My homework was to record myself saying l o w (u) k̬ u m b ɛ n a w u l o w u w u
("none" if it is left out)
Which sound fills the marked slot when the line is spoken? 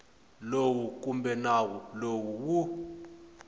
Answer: u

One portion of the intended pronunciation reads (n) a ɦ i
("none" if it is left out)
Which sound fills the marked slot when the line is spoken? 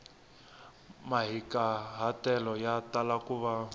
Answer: m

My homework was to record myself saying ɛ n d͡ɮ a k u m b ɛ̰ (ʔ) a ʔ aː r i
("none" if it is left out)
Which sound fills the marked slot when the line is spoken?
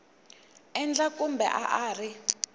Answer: ʔ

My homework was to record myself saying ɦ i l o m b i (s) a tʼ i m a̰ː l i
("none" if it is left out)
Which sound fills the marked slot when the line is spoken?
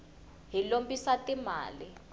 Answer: s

